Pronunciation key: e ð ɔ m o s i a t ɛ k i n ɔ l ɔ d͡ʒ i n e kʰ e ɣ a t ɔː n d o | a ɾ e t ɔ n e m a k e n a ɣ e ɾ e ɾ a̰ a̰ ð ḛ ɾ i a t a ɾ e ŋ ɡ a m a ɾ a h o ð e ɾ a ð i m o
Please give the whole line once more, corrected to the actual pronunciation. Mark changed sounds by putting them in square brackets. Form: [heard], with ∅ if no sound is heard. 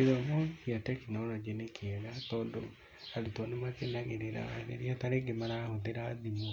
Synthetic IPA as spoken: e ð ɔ m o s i a t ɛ k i n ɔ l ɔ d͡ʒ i n e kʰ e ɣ a t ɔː n d o | a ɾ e t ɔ n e m a k e n a ɣ e ɾ e ɾ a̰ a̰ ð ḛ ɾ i a t a ɾ e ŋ ɡ [e] m a ɾ a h o ð e ɾ a ð i m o